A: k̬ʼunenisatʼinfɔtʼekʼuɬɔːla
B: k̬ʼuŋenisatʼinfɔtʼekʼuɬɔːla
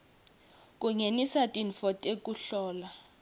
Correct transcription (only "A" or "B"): B